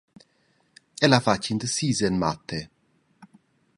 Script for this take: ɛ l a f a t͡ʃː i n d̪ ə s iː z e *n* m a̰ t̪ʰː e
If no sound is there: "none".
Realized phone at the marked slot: n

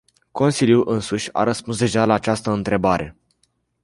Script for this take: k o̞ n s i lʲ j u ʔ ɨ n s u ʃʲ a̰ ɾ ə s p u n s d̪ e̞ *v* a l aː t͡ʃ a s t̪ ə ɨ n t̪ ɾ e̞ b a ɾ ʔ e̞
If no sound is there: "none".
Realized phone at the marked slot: ʒ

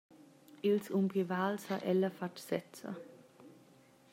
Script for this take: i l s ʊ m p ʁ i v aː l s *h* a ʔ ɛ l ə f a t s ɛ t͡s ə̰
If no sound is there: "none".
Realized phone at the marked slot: h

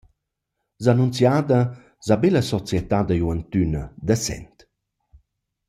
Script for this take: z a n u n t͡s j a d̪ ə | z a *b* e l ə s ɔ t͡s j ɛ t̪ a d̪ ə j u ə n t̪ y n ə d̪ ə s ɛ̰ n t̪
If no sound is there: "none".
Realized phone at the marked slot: b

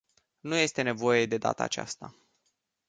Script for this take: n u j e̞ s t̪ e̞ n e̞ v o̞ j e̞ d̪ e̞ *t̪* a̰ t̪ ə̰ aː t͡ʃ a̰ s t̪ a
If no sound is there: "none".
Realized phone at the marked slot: d̪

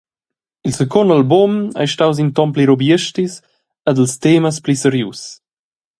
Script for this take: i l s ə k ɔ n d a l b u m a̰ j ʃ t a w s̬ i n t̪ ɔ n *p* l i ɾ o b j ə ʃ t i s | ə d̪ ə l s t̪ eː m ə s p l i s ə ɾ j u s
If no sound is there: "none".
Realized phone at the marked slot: p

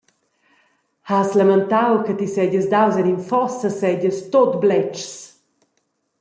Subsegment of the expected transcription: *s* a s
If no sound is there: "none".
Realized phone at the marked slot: h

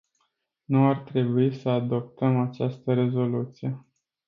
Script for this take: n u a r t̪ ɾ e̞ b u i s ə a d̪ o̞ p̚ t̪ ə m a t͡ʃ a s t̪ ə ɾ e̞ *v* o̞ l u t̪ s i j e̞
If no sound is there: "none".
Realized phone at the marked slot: z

